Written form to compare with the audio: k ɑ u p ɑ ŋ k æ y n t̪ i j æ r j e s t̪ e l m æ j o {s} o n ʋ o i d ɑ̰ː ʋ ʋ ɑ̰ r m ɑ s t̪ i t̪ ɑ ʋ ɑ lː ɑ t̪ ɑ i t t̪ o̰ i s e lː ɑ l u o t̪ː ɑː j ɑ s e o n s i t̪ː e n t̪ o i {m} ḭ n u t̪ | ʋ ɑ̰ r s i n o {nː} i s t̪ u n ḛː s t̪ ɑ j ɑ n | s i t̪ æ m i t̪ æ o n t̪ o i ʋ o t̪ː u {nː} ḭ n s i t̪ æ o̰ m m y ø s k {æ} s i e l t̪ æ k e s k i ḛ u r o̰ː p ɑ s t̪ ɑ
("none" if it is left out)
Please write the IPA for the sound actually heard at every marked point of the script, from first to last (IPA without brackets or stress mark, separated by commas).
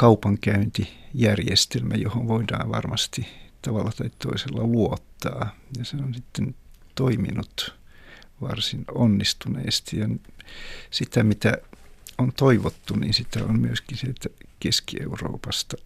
h, m, nː, n, i